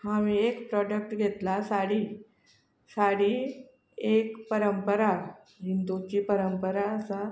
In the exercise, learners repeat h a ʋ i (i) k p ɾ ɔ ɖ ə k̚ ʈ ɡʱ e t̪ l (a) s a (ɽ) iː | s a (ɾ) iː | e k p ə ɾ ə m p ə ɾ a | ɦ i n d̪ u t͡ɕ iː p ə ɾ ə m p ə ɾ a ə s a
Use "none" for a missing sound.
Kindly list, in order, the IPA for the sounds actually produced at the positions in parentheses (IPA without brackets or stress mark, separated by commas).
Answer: e, a, ɽ, ɽ